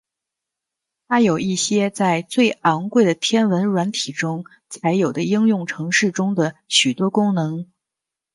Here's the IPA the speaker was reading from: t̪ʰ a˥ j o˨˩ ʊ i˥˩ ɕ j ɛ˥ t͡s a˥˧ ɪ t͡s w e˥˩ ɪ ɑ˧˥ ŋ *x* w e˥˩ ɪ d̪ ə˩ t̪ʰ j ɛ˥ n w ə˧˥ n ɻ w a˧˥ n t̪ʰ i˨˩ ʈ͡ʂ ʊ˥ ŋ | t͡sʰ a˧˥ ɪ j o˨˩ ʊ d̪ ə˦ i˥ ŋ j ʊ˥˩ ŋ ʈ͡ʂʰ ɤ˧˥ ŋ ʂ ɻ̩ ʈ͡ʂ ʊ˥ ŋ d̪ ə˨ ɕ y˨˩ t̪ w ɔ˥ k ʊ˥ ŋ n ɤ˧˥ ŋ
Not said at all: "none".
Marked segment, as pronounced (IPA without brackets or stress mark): k